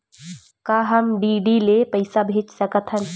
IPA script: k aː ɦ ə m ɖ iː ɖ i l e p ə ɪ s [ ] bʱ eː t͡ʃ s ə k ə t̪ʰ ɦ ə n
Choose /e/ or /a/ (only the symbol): a